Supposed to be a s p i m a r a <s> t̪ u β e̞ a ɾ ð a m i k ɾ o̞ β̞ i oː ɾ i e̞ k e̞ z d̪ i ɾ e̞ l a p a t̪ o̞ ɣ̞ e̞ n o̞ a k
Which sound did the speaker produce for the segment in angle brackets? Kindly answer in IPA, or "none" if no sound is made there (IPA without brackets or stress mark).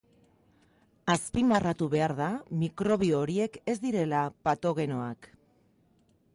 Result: none